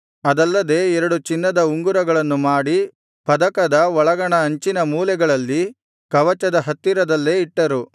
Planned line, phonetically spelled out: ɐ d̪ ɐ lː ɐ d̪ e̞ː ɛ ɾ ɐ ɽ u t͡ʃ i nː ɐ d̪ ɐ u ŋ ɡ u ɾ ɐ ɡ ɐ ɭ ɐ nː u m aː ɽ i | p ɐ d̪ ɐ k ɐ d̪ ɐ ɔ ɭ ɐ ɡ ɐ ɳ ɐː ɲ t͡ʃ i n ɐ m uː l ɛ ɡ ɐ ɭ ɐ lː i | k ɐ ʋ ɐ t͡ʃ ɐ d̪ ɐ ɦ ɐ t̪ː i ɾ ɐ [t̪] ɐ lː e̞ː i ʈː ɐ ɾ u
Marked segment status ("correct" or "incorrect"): incorrect